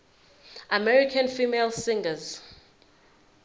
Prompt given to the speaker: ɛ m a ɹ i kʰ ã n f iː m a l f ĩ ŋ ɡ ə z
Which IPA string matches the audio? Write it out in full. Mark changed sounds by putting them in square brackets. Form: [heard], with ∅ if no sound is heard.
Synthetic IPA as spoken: [a] m [ɛ] ɹ i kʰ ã n f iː m [e] l [s] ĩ ŋ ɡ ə z